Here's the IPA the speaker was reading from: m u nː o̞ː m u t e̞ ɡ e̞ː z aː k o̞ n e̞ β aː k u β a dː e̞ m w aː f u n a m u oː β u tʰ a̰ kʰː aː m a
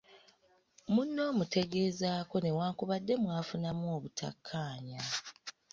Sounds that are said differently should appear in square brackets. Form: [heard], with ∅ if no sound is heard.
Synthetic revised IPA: m u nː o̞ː m u t e̞ ɡ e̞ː z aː k o̞ n e̞ [w] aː k u β a dː e̞ m w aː f u n a m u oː β u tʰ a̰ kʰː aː [ɲ] a